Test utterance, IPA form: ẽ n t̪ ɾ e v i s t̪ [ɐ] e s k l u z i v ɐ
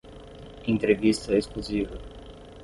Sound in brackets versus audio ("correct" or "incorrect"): correct